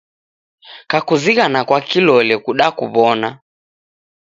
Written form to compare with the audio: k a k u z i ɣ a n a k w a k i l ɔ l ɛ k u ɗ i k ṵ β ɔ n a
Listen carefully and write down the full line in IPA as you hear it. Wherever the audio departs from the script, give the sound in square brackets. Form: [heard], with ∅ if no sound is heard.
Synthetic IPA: k a k u z i ɣ a n a k w a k i l ɔ l ɛ k u ɗ [a] k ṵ β ɔ n a